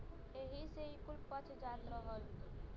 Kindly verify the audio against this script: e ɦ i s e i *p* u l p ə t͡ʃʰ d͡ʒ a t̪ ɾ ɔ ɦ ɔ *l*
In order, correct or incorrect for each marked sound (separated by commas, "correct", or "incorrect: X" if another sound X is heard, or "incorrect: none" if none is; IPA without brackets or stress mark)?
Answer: incorrect: k, correct